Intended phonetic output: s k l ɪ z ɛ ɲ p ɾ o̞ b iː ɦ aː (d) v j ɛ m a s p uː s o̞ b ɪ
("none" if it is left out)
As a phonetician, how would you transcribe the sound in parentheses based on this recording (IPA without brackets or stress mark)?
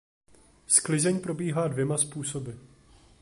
d